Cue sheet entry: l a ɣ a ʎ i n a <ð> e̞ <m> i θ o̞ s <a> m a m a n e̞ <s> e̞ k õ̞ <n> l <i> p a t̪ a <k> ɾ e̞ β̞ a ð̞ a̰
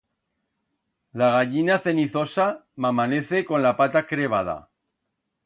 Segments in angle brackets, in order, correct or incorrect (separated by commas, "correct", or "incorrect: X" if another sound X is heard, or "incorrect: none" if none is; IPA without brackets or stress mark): incorrect: θ, incorrect: n, correct, incorrect: θ, correct, incorrect: a, correct